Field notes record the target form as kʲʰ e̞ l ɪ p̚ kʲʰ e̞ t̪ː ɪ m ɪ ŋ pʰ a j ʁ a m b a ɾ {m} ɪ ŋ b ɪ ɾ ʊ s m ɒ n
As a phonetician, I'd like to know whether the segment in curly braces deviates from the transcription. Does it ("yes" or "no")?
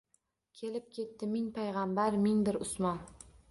no